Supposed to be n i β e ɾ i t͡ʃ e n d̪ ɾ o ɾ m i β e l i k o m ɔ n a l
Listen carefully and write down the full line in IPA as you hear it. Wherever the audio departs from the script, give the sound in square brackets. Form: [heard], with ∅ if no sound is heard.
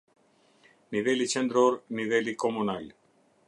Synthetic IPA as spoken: n i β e [l] i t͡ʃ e n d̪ ɾ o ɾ [n] i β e l i k o m [u] n a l